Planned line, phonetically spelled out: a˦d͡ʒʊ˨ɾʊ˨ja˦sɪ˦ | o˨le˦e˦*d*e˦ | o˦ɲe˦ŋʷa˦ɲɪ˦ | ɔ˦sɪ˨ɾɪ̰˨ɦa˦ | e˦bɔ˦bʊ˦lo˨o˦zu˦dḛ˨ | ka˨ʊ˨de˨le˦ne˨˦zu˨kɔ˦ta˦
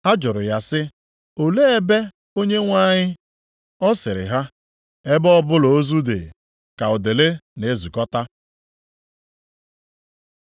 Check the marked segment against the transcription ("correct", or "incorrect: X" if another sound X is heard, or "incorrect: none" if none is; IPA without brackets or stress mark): incorrect: b